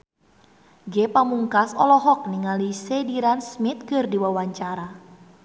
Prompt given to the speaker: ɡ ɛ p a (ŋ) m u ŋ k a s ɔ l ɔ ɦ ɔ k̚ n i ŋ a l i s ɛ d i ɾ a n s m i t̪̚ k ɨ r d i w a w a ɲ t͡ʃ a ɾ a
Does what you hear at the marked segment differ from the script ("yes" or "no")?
yes